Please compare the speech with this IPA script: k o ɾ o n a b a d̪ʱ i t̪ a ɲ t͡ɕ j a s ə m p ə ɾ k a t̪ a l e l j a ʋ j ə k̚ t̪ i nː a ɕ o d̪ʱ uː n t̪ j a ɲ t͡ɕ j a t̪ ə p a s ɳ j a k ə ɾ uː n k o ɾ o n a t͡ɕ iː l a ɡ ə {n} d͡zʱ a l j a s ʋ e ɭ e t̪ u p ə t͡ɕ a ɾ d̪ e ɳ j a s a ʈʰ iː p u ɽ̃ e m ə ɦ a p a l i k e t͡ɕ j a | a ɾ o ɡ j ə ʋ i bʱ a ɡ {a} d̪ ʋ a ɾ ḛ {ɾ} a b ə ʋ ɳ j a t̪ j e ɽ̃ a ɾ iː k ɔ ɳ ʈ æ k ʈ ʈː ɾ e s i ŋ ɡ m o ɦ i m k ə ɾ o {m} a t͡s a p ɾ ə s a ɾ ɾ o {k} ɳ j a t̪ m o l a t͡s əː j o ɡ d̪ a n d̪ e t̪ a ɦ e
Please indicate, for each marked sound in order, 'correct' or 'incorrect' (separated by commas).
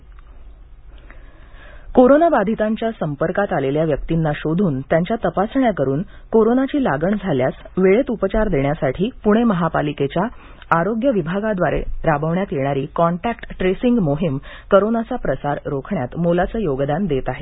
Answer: incorrect, correct, correct, incorrect, incorrect